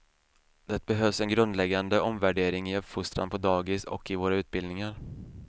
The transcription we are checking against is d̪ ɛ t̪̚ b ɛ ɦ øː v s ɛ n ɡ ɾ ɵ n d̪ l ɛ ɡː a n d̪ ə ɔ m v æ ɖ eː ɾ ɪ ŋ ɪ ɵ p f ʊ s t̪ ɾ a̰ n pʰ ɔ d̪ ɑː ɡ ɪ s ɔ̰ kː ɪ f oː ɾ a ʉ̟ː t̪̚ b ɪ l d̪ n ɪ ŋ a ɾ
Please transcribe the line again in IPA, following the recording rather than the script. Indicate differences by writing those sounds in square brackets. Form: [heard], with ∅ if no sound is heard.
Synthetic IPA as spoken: d̪ ɛ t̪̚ b ɛ ɦ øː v s ɛ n ɡ ɾ ɵ n d̪ l ɛ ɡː a n d̪ ə ɔ m v æ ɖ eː ɾ ɪ ŋ ɪ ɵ p f ʊ s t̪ ɾ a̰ n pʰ ɔ d̪ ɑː ɡ ɪ s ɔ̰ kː ɪ [v] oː ɾ a ʉ̟ː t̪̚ b ɪ l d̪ n ɪ ŋ a ɾ